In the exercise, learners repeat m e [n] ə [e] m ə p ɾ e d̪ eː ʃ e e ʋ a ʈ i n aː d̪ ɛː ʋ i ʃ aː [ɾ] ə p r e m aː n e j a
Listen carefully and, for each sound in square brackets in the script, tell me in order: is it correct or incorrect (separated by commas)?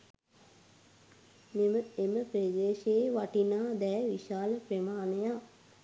incorrect, correct, incorrect